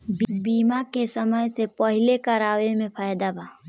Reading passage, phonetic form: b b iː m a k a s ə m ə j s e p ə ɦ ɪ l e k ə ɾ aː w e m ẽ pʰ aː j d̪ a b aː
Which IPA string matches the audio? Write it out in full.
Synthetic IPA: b b iː m a k e s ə m ə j s e p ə ɦ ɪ l e k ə ɾ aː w e m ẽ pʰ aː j d̪ a b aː